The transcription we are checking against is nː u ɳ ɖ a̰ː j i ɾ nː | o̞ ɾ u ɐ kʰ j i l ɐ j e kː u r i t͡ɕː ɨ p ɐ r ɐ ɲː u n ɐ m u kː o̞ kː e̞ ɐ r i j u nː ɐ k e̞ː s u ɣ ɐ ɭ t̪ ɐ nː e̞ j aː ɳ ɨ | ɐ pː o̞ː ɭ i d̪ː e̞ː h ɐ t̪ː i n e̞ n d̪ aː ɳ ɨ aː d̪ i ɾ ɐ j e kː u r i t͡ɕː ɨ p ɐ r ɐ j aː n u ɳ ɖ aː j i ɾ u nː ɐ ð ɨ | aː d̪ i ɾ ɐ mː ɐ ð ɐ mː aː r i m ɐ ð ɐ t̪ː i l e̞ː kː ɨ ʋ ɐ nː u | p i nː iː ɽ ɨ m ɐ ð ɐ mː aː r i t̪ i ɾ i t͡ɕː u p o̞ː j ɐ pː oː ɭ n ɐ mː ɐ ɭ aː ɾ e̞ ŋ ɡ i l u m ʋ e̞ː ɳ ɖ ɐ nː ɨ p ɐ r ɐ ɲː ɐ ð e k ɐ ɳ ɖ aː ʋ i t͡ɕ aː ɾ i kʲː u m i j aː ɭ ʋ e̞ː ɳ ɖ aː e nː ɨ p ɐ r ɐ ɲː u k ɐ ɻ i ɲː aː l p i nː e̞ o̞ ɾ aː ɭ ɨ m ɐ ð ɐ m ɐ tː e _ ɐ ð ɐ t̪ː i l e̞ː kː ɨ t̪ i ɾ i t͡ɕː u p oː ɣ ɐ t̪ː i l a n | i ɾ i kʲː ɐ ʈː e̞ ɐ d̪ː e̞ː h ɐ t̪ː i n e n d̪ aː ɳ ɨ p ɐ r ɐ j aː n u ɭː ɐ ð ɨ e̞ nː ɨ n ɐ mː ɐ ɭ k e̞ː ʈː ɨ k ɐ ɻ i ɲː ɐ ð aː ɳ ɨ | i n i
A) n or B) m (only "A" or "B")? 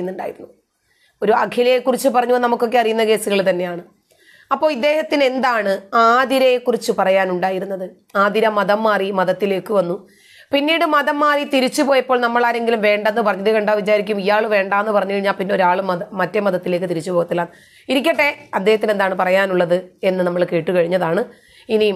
B